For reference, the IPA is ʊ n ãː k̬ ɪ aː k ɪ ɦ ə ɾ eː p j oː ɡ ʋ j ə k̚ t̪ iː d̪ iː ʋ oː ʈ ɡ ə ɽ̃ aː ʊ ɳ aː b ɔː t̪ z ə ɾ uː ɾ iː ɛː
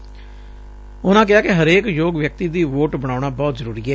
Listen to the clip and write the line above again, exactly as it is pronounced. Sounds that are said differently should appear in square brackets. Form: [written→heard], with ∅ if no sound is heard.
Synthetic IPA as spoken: ʊ n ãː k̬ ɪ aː k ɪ ɦ ə ɾ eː [p→k] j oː ɡ ʋ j ə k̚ t̪ iː d̪ iː ʋ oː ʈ [ɡ→b] ə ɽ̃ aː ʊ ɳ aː b ɔː t̪ z ə ɾ uː ɾ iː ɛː